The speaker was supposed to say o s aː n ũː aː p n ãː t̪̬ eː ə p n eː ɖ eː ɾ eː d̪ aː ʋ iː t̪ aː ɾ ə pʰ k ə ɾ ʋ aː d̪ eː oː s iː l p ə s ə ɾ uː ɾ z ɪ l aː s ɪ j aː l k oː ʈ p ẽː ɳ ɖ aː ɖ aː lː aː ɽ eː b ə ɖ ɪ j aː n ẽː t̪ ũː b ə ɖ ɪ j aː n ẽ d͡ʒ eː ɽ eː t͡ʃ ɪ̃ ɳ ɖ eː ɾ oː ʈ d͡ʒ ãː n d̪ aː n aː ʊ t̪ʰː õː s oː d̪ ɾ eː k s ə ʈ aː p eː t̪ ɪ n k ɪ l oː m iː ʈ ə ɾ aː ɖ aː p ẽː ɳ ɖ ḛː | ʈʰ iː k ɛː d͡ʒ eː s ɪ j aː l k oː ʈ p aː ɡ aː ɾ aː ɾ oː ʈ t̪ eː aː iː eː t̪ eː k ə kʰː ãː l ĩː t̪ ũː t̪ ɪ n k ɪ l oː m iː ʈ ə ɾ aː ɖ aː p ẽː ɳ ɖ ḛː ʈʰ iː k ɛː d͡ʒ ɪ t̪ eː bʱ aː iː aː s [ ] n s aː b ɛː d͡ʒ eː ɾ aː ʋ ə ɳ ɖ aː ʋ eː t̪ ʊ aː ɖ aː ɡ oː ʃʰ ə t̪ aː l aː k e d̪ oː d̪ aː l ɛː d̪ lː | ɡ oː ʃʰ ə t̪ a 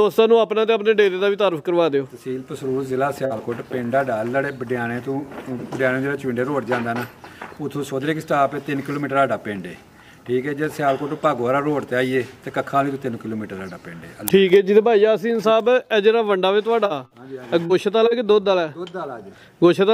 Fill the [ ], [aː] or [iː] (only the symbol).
iː